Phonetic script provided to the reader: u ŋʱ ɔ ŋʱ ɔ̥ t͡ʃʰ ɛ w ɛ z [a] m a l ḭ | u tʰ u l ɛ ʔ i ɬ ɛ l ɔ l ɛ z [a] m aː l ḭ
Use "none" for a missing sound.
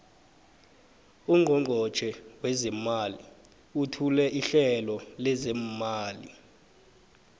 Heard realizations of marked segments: ɛ, ɛ

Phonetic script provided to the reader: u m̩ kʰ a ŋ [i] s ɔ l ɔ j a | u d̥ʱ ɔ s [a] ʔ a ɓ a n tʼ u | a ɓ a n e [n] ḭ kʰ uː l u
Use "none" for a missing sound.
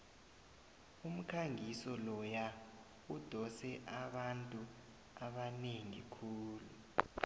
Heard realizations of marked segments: i, ɛ, ŋ

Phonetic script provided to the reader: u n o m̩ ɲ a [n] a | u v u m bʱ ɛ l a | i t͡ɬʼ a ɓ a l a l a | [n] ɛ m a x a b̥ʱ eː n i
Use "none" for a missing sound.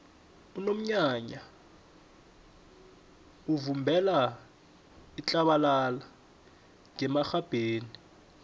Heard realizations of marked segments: ɲ, ŋ

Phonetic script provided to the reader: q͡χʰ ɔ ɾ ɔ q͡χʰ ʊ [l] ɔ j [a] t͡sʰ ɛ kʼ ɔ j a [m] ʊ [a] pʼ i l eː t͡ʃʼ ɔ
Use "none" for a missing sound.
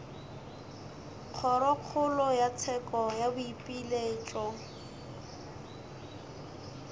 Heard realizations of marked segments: l, a, b, i

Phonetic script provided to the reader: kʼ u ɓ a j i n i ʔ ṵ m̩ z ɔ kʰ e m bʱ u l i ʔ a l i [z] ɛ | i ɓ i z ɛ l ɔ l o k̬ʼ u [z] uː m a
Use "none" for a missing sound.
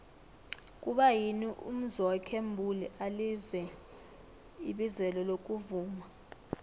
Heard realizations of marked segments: z, v

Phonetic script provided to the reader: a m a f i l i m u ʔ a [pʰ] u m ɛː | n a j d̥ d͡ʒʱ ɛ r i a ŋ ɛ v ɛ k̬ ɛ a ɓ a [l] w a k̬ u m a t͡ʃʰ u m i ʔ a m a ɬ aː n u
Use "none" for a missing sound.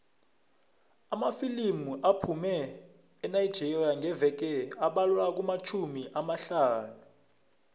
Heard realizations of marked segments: pʰ, l

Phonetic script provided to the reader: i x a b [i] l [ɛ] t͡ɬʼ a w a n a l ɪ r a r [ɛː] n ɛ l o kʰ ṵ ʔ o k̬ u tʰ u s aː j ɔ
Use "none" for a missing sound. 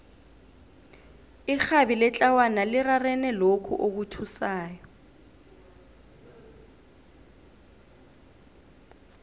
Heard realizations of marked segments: i, ɛ, ɛ

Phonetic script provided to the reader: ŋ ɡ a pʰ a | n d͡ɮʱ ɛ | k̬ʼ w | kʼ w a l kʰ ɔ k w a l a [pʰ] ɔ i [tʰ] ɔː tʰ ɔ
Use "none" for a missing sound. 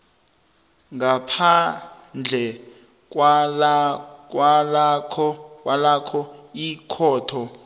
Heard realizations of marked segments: kʰ, kʰ

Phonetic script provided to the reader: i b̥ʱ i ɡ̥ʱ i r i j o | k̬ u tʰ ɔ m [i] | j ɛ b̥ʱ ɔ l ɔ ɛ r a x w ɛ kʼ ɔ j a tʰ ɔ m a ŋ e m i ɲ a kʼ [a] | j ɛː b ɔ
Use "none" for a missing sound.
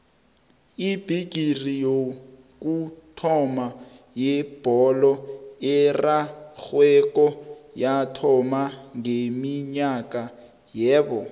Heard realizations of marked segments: a, a

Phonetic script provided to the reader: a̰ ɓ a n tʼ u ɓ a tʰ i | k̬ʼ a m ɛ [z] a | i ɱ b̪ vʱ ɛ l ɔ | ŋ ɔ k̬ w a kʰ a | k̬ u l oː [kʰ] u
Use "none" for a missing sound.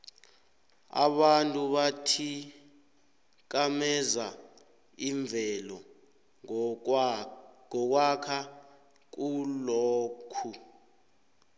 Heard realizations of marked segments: z, kʰ

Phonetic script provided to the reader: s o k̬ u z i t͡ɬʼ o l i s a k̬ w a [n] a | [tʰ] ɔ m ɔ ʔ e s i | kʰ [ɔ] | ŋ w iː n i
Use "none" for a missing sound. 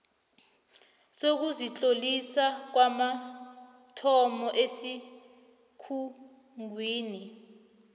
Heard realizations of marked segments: m, tʰ, u

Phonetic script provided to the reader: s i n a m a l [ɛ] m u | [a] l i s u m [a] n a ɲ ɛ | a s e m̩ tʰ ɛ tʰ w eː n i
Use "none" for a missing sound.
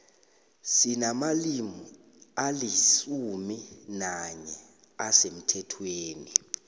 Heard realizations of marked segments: i, a, i

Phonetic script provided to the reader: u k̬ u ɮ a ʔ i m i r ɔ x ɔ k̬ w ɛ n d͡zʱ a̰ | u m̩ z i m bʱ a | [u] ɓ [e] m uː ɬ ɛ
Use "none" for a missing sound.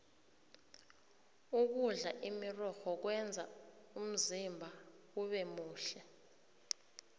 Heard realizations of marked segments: u, ɛ

